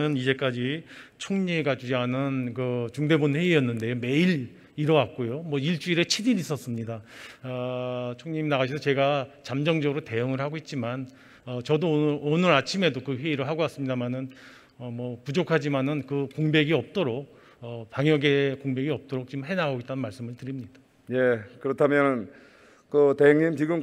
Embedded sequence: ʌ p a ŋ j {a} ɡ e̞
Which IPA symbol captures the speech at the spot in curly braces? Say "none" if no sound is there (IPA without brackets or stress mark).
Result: ʌ